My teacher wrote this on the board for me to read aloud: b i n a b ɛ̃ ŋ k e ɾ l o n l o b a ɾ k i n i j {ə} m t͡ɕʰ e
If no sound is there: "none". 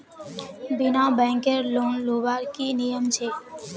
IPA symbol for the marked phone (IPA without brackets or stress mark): ə